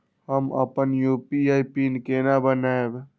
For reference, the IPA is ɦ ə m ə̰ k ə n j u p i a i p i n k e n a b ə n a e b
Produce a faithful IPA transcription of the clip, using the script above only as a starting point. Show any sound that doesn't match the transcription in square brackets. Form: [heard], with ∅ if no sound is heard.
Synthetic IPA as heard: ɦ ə m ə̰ [p] ə n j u p i a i p i n k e n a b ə n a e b